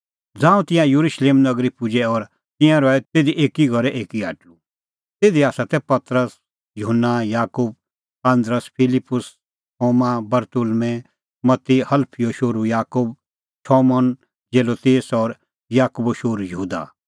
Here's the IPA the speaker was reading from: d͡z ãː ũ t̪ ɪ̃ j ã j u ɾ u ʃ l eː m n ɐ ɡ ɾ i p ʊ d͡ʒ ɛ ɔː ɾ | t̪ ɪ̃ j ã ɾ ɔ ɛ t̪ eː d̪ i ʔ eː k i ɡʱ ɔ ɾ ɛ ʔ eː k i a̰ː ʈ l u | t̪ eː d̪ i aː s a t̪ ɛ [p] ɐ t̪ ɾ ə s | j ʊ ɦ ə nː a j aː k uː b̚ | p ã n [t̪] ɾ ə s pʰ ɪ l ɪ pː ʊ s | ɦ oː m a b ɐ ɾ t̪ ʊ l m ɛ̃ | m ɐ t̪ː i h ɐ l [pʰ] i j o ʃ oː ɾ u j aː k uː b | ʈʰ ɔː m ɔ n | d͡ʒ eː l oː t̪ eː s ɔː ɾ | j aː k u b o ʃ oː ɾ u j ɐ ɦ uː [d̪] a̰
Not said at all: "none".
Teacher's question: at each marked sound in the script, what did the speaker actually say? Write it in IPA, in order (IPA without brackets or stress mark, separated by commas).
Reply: p, d̪, pʰ, d̪